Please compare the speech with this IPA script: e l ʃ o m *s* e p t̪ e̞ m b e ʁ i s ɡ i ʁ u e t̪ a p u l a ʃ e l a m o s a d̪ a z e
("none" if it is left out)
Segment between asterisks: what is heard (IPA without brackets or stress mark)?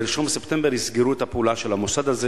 s